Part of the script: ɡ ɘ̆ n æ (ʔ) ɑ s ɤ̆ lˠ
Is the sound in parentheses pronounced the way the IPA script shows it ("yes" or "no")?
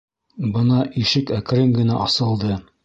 yes